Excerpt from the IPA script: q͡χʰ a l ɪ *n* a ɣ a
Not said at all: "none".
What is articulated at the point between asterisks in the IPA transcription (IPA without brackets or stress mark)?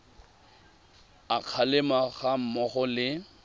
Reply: m